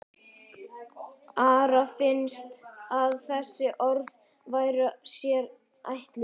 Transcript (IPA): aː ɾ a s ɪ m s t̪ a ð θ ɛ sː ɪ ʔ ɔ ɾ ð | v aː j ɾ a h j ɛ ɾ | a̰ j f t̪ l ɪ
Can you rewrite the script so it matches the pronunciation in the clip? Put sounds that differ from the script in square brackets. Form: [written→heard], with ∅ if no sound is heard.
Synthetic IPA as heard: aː ɾ a [s→f] ɪ [m→n] s t̪ a ð θ ɛ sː ɪ ʔ ɔ ɾ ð | v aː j ɾ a [h→s] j ɛ ɾ | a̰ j [f→h] t̪ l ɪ